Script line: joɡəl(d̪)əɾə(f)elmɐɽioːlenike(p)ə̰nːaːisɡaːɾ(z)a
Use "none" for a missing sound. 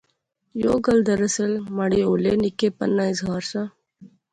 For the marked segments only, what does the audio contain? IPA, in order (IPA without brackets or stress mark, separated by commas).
d̪, s, p, s